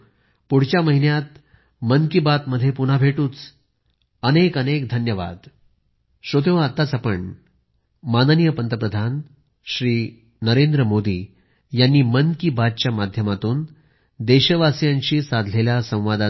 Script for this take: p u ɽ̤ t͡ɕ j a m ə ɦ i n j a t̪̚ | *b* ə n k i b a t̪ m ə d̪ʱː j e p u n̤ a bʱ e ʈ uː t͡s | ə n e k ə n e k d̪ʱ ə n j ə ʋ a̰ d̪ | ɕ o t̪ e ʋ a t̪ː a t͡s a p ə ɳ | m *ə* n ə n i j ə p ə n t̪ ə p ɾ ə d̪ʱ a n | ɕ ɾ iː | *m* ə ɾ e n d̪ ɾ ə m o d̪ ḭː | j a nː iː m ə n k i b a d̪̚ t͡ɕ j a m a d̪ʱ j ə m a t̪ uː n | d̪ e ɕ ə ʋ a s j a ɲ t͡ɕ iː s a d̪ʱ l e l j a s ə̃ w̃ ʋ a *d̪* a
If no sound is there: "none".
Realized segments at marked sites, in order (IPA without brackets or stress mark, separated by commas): m, a, n, d̪